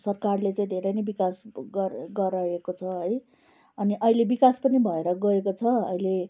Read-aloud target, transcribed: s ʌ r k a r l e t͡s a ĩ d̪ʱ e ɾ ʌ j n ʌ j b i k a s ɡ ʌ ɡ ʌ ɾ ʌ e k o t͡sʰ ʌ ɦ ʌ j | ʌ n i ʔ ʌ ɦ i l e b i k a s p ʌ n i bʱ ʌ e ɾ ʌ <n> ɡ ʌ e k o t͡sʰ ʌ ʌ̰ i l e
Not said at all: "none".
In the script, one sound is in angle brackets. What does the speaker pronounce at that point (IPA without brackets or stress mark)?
none